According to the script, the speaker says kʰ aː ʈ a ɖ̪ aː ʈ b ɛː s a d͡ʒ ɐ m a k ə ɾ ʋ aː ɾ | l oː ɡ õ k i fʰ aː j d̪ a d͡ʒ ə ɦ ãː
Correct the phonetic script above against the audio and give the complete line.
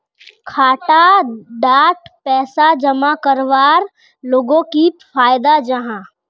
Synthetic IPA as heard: kʰ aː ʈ a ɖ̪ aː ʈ p ɛː s a d͡ʒ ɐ m a k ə ɾ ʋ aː ɾ | l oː ɡ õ k i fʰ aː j d̪ a d͡ʒ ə ɦ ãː